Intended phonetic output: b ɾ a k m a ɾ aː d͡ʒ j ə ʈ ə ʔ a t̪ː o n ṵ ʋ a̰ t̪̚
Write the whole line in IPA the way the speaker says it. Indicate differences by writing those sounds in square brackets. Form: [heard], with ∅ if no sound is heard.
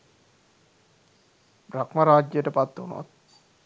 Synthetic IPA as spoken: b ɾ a k m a ɾ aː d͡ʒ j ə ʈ ə [p] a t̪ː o n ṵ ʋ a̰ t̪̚